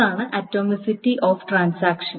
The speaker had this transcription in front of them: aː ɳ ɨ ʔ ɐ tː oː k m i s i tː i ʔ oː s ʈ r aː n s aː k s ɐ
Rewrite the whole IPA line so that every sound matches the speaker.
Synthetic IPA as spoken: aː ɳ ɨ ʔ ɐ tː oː m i s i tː i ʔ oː f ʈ r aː n s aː k ʂ ɐ